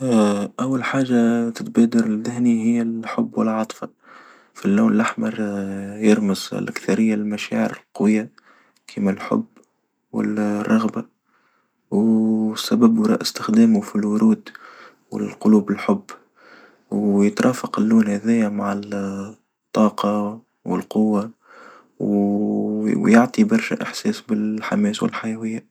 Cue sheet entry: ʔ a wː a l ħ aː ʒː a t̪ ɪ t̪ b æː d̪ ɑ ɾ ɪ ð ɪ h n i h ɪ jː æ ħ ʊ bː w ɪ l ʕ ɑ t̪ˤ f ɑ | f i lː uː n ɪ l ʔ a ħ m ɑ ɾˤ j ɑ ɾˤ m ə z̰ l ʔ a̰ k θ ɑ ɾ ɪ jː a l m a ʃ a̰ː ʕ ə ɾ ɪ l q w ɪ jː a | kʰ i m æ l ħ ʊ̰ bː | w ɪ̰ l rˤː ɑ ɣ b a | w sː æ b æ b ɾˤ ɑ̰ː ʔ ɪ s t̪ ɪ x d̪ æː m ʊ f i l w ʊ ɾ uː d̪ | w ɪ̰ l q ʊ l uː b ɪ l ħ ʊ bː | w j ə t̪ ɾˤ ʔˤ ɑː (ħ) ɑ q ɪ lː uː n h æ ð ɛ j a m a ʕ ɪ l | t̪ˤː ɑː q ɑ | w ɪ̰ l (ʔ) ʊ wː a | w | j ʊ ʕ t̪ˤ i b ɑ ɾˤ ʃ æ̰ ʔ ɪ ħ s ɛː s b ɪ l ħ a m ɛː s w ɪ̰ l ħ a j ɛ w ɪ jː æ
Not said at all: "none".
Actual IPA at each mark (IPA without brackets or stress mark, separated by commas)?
f, q